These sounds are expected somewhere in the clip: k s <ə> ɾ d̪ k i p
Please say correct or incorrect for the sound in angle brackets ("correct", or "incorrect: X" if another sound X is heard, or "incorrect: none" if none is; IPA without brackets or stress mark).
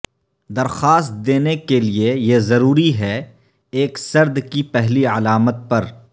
incorrect: ɐ